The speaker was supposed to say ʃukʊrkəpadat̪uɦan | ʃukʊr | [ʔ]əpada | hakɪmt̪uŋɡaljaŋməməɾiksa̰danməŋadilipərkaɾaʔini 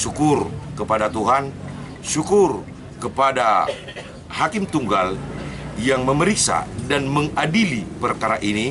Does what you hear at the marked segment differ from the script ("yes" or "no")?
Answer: yes